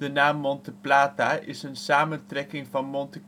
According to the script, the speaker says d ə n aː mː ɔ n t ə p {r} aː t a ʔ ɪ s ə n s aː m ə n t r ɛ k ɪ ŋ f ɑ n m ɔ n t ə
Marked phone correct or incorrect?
incorrect